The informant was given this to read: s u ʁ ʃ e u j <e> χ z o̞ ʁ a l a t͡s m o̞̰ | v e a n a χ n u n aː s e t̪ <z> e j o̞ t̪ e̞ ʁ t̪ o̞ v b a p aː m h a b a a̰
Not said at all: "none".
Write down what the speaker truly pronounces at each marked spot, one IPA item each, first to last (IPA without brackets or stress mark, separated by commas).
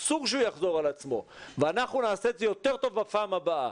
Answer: a, z